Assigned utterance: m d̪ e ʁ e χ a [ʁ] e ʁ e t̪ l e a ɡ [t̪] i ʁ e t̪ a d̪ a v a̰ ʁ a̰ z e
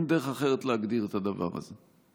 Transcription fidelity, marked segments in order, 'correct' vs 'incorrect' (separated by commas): incorrect, incorrect